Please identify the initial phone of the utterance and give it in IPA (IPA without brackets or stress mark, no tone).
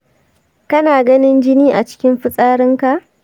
k